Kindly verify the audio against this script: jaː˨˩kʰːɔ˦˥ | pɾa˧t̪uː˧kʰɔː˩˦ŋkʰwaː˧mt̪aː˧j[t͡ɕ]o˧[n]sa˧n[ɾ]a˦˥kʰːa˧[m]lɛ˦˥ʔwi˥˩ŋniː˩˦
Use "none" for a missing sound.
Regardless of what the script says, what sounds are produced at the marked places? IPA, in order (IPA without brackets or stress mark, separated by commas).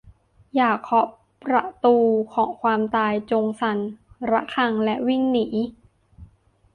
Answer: t͡ɕ, ŋ, ɾ, ŋ